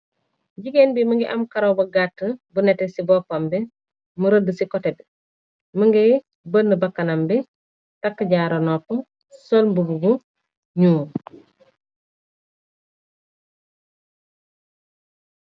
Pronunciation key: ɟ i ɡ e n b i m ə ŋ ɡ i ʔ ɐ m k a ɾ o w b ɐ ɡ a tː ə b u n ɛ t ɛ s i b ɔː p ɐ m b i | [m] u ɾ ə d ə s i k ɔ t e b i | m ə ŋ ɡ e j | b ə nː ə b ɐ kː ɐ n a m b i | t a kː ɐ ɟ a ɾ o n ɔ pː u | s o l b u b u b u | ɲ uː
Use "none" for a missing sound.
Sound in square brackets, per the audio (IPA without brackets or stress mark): m